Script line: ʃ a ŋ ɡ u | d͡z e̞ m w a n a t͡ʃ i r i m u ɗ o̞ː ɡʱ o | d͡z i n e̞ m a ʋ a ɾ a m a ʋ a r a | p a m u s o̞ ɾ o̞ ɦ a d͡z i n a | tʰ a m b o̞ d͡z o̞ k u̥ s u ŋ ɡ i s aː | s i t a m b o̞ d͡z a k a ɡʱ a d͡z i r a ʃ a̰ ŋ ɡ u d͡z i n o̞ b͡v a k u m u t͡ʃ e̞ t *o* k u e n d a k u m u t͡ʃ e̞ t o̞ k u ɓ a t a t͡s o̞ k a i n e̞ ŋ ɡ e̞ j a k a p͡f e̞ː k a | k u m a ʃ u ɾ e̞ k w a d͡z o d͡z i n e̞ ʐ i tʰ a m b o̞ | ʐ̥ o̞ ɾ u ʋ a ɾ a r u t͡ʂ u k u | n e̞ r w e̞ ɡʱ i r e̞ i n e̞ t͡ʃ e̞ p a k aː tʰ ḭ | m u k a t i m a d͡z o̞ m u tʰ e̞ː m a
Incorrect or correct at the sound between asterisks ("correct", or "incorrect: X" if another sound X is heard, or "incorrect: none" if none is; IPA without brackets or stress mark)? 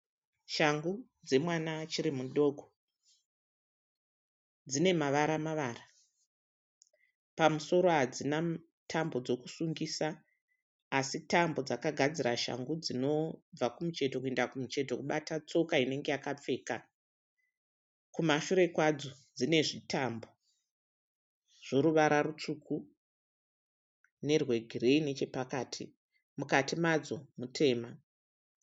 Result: correct